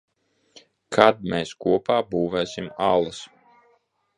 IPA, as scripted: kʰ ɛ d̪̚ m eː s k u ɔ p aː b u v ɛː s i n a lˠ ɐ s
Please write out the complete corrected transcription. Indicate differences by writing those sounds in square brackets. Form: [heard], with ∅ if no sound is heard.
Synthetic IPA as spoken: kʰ [a] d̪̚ m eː s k u ɔ p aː b [uː] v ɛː s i [m] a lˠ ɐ s